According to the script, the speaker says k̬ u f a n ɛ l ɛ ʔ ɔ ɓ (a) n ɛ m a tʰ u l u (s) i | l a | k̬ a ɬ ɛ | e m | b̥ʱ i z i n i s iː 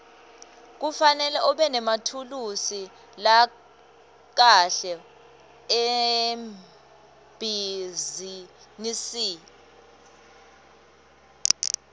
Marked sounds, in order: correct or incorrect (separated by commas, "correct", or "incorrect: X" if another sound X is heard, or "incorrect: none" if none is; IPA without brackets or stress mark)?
incorrect: ɛ, correct